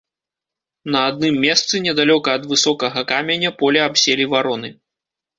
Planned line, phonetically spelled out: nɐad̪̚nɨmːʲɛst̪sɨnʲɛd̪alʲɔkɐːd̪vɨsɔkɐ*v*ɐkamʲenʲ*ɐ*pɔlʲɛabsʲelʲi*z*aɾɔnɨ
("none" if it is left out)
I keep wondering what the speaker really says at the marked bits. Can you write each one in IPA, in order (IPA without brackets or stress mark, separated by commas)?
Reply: ɣ, ɐ, v